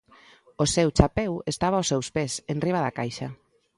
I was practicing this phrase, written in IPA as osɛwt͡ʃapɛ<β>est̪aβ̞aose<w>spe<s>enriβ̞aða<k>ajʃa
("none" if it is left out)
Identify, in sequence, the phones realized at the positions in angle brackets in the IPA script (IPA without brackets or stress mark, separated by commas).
w, w, s, k